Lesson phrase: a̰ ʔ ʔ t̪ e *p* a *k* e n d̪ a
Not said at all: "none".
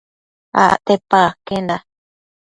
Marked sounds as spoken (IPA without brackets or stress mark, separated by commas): p, k